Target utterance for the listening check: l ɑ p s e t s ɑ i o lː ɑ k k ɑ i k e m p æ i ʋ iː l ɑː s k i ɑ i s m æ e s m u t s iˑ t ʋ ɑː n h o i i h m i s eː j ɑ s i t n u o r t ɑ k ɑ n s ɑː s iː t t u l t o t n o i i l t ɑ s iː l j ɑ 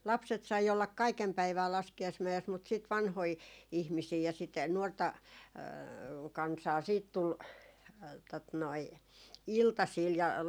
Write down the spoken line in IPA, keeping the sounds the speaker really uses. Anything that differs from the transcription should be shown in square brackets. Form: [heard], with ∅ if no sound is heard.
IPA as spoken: l ɑ p s e t s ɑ i o lː ɑ k k ɑ i k e m p æ i ʋ [æː] l [ɑ] s k i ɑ i s m æ e s m u t s iˑ t ʋ [ɑ] n h o i i h m i s [iː] j ɑ s i t n u o r t ɑ k ɑ n s ɑː s iː t t u l t o t n o i i l t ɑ s iː l j ɑ